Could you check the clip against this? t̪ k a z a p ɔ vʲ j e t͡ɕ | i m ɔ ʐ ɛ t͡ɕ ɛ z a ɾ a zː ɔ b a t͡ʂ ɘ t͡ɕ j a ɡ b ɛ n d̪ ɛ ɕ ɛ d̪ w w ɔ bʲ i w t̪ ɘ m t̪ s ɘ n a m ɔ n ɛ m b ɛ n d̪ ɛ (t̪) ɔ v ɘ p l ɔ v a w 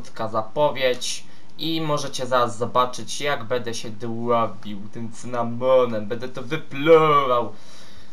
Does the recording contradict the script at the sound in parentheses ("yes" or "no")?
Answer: no